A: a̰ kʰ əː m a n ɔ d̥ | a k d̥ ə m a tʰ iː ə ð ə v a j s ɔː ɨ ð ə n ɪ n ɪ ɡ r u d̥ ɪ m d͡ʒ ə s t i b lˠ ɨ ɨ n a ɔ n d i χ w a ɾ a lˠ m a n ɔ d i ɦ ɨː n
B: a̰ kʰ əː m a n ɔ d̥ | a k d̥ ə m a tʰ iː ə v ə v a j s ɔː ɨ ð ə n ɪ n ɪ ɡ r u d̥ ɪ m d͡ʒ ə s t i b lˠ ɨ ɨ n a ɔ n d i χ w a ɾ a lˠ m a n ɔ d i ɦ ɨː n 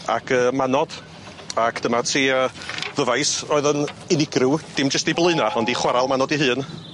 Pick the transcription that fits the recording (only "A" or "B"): A